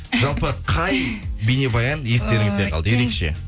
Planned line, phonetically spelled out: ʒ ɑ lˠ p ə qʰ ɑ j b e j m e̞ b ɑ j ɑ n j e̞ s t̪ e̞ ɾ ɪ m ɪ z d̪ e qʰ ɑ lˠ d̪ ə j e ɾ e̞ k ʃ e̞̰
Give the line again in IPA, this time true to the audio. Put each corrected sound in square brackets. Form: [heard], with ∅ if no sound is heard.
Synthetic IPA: ʒ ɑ lˠ p ə qʰ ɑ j b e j [n] e̞ b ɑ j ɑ n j e̞ s t̪ e̞ ɾ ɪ [ŋ] ɪ z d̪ e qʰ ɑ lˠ d̪ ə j e ɾ e̞ k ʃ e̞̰

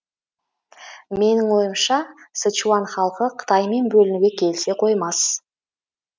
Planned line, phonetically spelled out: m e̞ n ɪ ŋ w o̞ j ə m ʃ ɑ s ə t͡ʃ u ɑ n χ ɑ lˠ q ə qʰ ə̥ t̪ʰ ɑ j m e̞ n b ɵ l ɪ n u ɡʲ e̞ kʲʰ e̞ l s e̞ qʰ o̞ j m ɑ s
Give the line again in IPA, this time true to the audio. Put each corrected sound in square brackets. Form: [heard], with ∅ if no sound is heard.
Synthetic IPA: m e̞ n ɪ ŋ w o̞ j ə m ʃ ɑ s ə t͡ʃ u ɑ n χ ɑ lˠ q ə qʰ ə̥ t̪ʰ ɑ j m e̞ n b ɵ l ɪ n u ɡʲ e̞ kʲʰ e̞ l s e̞ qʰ o̞ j m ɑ s

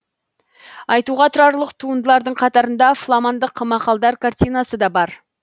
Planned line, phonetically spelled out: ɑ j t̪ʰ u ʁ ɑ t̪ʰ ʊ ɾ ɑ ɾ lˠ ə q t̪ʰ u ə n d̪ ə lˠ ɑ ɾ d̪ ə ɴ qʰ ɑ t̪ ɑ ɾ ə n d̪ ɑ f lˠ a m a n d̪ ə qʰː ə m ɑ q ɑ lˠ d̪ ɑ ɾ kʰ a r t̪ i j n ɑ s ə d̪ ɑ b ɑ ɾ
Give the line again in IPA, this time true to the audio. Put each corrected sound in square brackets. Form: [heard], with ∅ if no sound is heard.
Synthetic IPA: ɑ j [t̪] u ʁ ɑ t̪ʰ ʊ ɾ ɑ ɾ lˠ ə q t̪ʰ u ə n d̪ ə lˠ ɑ ɾ d̪ ə ɴ qʰ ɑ t̪ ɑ ɾ ə n d̪ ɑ f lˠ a m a n d̪ ə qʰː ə m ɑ q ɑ lˠ d̪ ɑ ɾ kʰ a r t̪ i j n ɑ s ə d̪ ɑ b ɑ ɾ

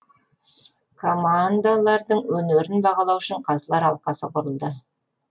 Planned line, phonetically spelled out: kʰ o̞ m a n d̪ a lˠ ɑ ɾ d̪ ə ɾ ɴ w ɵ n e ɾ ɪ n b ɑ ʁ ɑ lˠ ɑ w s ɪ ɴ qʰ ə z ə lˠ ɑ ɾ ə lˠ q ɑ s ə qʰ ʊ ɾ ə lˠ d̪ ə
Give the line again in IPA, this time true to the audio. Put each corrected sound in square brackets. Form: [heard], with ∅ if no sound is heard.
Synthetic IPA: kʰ o̞ m a n d̪ a lˠ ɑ ɾ d̪ ə [∅] ɴ w ɵ n e ɾ ɪ n b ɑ ʁ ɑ lˠ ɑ w [ʃ] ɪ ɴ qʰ [ɑ] z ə lˠ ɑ ɾ [ɑ] lˠ q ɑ s ə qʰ ʊ ɾ ə lˠ d̪ ə

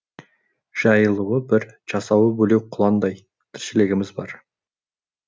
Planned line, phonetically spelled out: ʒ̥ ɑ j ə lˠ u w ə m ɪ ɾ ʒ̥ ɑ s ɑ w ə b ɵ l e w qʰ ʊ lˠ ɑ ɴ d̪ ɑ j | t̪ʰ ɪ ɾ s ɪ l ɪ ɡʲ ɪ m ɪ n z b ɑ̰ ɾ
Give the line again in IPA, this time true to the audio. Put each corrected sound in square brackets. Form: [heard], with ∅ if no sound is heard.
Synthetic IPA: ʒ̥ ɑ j ə lˠ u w ə [b] ɪ ɾ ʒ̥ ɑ s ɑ w ə b ɵ l e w qʰ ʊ lˠ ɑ [n] d̪ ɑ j | t̪ʰ ɪ ɾ [ʃ] ɪ l ɪ ɡʲ ɪ m ɪ [∅] z b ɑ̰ ɾ

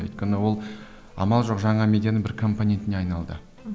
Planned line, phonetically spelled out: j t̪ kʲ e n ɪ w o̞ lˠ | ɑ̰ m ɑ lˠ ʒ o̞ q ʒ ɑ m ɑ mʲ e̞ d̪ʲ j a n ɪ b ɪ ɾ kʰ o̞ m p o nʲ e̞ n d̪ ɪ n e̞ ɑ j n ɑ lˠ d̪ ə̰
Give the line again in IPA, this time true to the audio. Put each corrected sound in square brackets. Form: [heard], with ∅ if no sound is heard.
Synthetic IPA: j t̪ kʲ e n ɪ w o̞ lˠ | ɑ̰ m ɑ lˠ ʒ o̞ q ʒ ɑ [ɴ] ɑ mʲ e̞ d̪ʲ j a n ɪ b ɪ ɾ kʰ o̞ m p o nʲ e̞ n [t̪] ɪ n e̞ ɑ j n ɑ lˠ d̪ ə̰

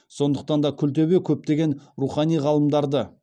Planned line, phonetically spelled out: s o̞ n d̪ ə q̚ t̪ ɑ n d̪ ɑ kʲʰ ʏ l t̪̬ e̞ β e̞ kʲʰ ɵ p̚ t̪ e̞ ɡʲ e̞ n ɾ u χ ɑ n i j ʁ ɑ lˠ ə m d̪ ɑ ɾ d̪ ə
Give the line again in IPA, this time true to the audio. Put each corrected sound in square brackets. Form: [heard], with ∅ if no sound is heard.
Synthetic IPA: s o̞ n d̪ ə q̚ t̪ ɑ n d̪ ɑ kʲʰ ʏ l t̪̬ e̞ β e̞ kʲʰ ɵ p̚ t̪ e̞ ɡʲ e̞ n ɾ u χ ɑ n i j ʁ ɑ lˠ ə m d̪ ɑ ɾ d̪ ə

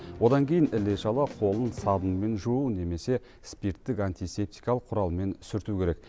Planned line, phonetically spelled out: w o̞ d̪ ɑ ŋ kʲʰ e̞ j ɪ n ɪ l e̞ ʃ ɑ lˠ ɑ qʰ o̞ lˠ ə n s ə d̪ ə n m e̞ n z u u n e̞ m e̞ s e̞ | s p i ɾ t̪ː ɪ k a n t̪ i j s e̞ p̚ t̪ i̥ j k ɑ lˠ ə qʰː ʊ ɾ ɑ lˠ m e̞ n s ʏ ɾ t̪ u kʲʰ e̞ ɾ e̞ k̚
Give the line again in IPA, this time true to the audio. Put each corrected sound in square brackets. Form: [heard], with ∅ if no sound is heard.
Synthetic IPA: w o̞ d̪ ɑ ŋ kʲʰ e̞ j ɪ n ɪ l e̞ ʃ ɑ lˠ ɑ qʰ o̞ lˠ ə n s [ɑ] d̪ ə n m e̞ n [ʒ] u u n e̞ m e̞ s e̞ | s p i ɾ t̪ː ɪ k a n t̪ i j s e̞ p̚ t̪ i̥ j k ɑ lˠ ə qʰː ʊ ɾ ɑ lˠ m e̞ n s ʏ ɾ t̪ u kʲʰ e̞ ɾ e̞ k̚

